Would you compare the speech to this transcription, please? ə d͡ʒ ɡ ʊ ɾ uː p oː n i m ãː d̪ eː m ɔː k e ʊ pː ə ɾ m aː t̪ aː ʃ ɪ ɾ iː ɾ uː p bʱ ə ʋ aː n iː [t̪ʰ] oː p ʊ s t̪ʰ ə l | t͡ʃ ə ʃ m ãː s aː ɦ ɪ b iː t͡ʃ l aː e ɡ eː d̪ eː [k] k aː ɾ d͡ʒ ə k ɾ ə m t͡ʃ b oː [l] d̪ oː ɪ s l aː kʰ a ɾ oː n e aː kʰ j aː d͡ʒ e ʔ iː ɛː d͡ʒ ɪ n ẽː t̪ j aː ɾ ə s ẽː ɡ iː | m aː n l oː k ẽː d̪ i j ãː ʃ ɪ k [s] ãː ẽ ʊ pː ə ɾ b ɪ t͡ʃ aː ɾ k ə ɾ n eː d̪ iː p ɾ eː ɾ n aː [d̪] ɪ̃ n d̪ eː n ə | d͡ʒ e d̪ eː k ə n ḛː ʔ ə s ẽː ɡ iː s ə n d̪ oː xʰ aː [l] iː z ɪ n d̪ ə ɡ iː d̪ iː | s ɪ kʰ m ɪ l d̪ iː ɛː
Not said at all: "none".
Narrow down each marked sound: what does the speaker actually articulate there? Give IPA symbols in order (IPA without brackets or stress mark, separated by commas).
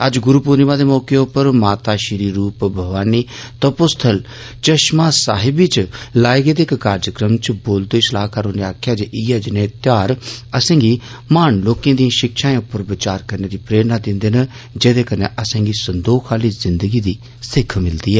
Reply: t̪, k, l, ʃ, d̪, l